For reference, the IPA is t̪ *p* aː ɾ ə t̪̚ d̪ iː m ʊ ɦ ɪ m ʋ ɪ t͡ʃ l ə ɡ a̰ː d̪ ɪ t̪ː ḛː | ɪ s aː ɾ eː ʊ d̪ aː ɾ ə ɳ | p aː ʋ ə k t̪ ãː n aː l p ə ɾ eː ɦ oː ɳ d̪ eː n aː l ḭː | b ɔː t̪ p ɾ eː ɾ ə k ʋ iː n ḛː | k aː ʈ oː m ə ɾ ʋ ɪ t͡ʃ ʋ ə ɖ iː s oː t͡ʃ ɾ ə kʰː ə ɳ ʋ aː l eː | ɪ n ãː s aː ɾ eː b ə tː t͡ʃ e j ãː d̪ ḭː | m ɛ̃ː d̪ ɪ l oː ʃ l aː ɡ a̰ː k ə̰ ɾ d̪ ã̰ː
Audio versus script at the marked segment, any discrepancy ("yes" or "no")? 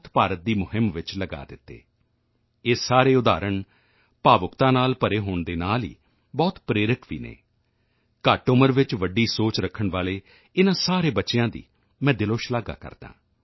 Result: no